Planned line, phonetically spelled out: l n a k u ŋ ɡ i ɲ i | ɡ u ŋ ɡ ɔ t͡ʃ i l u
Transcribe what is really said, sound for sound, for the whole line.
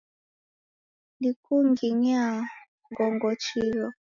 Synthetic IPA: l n i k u ŋ ɡ i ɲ a | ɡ ɔ ŋ ɡ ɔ t͡ʃ i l ɔ